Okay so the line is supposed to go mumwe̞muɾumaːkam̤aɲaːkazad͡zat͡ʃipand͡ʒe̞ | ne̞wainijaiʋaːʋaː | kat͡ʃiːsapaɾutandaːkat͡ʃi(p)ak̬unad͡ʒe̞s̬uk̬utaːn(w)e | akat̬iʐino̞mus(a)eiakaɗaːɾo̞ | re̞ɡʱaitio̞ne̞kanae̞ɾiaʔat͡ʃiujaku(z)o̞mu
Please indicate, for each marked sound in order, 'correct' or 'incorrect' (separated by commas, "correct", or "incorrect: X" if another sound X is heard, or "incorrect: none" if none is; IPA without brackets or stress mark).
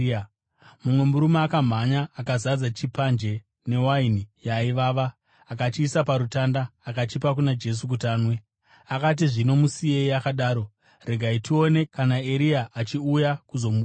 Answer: correct, correct, incorrect: i, correct